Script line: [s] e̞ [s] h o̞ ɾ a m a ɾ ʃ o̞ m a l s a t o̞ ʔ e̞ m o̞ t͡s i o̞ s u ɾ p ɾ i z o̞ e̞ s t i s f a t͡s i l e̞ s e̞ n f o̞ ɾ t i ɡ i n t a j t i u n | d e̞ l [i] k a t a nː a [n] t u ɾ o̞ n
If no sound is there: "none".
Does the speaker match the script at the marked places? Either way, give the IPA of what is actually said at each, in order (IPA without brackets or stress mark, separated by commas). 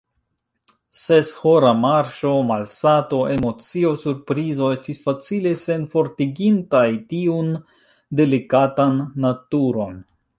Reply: s, s, i, none